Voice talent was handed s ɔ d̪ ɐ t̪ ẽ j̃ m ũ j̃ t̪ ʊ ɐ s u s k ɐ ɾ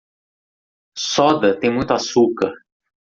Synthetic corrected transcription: s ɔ d̪ ɐ t̪ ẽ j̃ m ũ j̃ t̪ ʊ a s u k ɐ ɾ